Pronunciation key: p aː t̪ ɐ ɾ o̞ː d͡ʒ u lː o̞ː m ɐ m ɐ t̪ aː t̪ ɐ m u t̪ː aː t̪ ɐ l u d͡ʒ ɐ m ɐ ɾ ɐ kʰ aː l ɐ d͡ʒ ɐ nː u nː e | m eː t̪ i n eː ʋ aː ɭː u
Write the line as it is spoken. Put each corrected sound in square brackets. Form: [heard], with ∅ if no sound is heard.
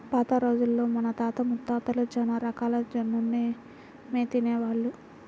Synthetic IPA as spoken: p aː t̪ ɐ ɾ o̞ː d͡ʒ u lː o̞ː m ɐ [n] ɐ t̪ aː t̪ ɐ m u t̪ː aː t̪ ɐ l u d͡ʒ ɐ [n] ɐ ɾ ɐ [k] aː l ɐ d͡ʒ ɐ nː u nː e | m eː t̪ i n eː ʋ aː ɭː u